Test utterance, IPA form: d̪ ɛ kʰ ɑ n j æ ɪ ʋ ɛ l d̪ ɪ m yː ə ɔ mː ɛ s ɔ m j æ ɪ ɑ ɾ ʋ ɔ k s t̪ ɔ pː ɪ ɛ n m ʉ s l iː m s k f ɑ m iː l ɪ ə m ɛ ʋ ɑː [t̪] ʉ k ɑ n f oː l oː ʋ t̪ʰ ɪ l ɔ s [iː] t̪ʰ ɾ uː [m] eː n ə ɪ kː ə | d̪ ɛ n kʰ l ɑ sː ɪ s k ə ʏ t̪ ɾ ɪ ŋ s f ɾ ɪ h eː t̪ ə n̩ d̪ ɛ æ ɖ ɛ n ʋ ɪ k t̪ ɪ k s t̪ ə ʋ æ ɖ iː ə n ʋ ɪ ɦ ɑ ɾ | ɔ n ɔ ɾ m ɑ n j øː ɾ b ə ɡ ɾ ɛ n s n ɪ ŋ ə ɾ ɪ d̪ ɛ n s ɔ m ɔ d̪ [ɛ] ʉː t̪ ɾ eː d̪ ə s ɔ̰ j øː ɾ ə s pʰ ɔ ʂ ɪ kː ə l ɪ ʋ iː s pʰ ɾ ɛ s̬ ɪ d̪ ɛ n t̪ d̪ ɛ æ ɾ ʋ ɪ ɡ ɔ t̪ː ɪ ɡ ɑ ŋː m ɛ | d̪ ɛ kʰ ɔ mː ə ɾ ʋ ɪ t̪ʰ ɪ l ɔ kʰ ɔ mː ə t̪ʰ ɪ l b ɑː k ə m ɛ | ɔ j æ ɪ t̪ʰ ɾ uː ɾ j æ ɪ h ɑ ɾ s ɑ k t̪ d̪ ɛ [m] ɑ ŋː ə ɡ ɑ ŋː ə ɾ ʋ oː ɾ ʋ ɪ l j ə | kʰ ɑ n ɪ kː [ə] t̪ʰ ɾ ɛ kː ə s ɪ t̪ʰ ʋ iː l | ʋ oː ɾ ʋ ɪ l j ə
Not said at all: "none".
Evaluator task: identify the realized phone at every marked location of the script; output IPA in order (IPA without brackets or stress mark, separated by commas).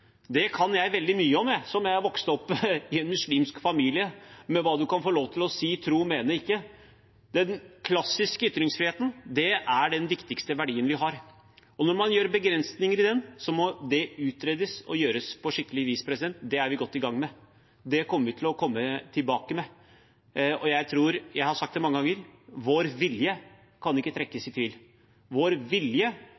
d̪, iː, m, ɛ, m, ə